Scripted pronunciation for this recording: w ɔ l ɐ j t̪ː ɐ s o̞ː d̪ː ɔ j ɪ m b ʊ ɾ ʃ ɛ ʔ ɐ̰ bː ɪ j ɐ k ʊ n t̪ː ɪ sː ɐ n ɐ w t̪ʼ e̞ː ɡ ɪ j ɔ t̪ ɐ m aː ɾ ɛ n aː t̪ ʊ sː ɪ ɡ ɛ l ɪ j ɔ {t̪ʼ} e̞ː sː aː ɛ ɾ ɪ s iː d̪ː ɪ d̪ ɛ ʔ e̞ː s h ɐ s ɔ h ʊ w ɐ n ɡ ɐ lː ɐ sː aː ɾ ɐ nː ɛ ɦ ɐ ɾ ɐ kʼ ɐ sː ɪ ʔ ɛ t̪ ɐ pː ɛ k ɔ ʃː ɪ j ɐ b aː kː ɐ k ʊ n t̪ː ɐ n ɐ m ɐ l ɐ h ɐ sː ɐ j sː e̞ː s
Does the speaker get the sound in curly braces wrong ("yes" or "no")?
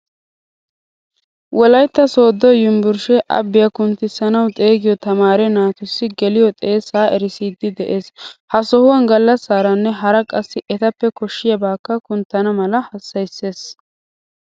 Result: no